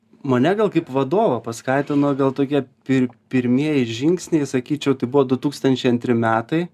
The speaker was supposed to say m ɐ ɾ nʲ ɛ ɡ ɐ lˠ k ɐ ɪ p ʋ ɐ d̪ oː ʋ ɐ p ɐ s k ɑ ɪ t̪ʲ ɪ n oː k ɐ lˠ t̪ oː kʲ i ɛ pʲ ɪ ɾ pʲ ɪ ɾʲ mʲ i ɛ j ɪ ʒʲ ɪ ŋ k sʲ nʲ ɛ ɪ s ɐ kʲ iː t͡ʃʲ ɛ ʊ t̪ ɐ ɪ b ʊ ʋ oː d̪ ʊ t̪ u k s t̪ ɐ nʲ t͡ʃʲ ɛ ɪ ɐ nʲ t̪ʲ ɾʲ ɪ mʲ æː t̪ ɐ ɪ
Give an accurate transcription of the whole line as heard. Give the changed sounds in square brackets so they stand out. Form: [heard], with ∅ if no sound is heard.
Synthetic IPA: m ɐ [∅] nʲ ɛ ɡ ɐ lˠ k ɐ ɪ p ʋ ɐ d̪ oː ʋ ɐ p ɐ s k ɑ ɪ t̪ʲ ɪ n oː [ɡ] ɐ lˠ t̪ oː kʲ i ɛ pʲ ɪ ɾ pʲ ɪ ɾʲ mʲ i ɛ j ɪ ʒʲ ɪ ŋ k sʲ nʲ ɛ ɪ s ɐ kʲ iː t͡ʃʲ ɛ ʊ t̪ ɐ ɪ b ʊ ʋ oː d̪ ʊ t̪ [uː] k s t̪ ɐ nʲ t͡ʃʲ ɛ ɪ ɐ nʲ t̪ʲ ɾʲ ɪ mʲ æː t̪ ɐ ɪ